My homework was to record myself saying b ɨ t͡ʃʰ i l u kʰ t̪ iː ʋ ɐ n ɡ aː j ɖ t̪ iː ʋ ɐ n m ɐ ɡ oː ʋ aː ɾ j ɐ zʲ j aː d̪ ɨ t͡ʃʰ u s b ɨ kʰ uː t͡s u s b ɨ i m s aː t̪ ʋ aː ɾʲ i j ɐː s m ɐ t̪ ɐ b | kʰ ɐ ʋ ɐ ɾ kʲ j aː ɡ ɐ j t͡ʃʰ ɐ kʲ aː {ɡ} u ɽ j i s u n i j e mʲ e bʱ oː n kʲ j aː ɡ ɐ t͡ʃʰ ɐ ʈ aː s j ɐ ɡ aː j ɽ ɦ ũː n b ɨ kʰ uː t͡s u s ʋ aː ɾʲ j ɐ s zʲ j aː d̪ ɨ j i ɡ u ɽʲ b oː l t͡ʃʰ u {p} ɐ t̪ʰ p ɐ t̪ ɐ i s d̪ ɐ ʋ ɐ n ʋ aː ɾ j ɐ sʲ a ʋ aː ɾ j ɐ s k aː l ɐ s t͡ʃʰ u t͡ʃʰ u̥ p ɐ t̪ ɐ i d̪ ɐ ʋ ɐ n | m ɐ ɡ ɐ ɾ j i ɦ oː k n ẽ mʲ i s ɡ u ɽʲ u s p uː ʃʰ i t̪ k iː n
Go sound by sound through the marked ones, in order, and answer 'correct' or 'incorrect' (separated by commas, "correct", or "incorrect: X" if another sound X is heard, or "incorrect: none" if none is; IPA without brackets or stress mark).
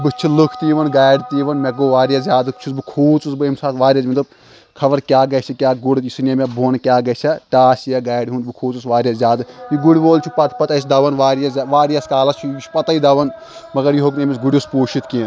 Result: correct, correct